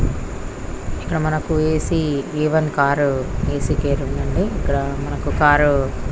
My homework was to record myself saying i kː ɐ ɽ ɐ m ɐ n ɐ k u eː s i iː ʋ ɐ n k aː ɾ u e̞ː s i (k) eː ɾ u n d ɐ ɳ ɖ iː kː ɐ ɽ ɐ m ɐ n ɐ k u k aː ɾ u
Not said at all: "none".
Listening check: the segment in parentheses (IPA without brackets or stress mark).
k